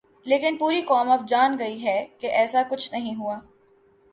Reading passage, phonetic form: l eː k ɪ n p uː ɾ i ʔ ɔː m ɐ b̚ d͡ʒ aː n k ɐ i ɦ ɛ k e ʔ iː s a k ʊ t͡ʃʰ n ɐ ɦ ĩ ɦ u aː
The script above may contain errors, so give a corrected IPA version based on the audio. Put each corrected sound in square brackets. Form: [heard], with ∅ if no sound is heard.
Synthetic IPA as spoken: l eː k ɪ n p uː ɾ i [k] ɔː m ɐ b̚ d͡ʒ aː n [ɡ] ɐ i ɦ ɛ k e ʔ [ɛː] s a k ʊ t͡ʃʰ n ɐ ɦ ĩ ɦ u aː